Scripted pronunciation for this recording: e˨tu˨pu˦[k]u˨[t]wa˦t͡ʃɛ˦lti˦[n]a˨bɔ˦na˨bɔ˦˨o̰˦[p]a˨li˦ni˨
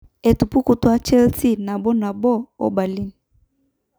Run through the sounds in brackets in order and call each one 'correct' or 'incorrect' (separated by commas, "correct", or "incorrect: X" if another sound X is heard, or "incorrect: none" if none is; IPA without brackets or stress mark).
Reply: correct, correct, correct, incorrect: b